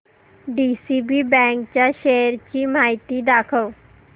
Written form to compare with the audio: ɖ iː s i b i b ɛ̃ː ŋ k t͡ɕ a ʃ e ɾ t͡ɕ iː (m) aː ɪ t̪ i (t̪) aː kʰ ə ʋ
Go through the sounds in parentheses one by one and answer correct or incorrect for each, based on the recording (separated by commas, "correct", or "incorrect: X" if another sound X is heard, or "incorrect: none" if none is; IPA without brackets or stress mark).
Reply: correct, incorrect: d̪